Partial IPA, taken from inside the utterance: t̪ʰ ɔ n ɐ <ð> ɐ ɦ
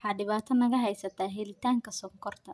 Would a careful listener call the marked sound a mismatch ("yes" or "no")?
yes